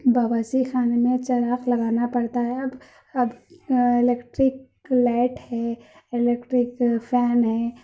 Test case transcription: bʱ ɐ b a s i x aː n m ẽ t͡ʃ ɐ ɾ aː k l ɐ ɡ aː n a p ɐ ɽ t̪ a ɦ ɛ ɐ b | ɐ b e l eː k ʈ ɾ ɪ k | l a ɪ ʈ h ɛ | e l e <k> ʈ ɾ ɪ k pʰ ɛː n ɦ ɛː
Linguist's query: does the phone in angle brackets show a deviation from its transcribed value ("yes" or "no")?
no